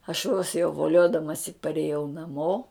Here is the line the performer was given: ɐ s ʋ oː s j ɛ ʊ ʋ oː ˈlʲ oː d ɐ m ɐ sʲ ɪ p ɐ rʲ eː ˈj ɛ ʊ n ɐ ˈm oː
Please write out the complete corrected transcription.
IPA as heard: ɐ ʃ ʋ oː s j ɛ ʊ ʋ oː ˈlʲ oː d ɐ m ɐ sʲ ɪ p ɐ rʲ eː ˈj ɛ ʊ n ɐ ˈm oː